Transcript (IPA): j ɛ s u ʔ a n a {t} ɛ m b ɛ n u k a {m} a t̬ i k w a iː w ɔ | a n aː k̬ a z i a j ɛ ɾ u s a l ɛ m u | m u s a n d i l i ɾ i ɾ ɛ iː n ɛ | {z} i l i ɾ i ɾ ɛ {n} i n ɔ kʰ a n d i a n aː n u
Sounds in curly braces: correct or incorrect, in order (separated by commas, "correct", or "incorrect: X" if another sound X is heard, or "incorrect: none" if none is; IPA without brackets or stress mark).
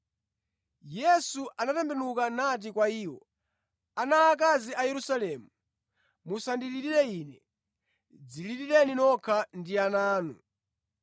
correct, incorrect: n, incorrect: d͡z, correct